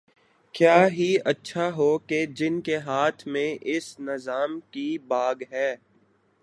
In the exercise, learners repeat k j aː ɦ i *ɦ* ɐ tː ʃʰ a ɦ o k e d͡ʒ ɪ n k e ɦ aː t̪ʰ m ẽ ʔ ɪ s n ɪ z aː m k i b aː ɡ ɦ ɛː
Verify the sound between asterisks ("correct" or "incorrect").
incorrect